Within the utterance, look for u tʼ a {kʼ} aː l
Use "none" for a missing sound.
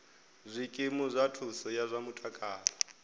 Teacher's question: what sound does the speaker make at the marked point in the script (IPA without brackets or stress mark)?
kʼ